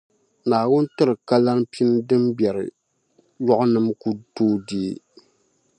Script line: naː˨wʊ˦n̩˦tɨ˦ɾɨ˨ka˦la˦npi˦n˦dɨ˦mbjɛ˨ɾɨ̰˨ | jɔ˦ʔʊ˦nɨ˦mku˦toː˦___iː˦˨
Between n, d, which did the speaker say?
d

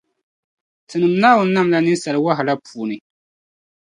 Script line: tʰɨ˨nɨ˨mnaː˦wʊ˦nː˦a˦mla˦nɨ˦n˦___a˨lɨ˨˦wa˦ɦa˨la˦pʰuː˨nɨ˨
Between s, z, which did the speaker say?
s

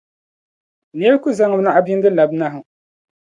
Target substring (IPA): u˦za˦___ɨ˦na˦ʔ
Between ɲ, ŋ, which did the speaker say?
ŋ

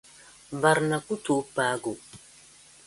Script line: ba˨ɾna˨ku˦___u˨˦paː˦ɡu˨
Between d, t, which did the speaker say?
t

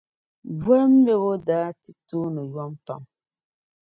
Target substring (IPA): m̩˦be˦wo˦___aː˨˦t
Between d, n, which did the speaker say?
d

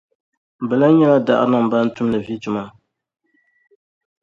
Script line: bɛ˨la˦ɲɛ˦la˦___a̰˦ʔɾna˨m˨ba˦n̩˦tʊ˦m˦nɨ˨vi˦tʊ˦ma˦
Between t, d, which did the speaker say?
d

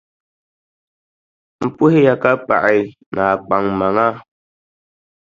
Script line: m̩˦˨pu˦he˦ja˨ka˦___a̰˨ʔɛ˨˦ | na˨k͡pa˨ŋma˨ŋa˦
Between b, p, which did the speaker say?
p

